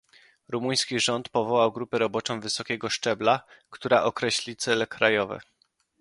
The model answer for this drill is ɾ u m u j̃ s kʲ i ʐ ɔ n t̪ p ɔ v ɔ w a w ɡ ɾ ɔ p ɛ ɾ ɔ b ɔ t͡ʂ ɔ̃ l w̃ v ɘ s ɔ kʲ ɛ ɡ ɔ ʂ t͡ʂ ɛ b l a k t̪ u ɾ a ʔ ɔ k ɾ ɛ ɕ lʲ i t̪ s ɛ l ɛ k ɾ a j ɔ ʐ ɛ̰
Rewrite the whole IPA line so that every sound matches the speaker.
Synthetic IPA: ɾ u m u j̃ s kʲ i ʐ ɔ n t̪ p ɔ v ɔ w a w ɡ ɾ u p ɛ ɾ ɔ b ɔ t͡ʂ ɔ̃ w̃ v ɘ s ɔ kʲ ɛ ɡ ɔ ʂ t͡ʂ ɛ b l a k t̪ u ɾ a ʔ ɔ k ɾ ɛ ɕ lʲ i t̪ s ɛ l ɛ k ɾ a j ɔ v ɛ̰

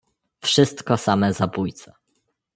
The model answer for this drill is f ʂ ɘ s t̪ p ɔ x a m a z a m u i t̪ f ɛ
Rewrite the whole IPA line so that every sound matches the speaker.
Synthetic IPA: f ʂ ɘ s t̪ k ɔ s a m ɛ z a b u j t̪ s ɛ

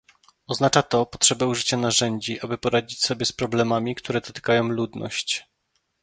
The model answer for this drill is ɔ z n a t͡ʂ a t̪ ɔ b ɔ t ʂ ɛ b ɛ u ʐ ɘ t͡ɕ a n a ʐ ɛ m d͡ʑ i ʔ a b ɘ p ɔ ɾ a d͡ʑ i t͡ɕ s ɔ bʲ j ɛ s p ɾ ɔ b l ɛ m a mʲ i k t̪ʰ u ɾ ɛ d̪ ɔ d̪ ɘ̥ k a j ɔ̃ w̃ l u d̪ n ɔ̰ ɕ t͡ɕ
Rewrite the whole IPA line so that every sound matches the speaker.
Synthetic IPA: ɔ z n a t͡ʂ a t̪ ɔ p ɔ t ʂ ɛ b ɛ u ʐ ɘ t͡ɕ a n a ʐ ɛ ɲ d͡ʑ i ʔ a b ɘ p ɔ ɾ a d͡ʑ i t͡ɕ s ɔ bʲ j ɛ s p ɾ ɔ b l ɛ m a mʲ i k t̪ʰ u ɾ ɛ d̪ ɔ t̪ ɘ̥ k a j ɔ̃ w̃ l u d̪ n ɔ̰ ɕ t͡ɕ

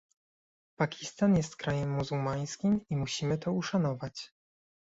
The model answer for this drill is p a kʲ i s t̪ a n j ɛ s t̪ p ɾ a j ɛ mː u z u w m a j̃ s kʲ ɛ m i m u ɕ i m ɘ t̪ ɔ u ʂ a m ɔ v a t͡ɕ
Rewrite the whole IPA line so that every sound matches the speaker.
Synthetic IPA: p a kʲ i s t̪ a n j ɛ s t̪ k ɾ a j ɛ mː u z u w m a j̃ s kʲ i m i m u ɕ i m ɘ t̪ ɔ u ʂ a n ɔ v a t͡ɕ

